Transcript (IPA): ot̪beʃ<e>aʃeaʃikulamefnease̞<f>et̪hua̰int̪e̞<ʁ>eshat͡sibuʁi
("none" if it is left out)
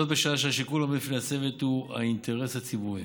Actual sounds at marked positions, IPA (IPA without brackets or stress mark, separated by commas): a, v, ʁ